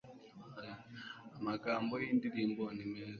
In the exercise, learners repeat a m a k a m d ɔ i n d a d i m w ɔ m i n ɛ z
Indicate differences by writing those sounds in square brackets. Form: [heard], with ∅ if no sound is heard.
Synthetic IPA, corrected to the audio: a m a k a m [b] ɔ i n d [i] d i m [b] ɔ [n] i [m] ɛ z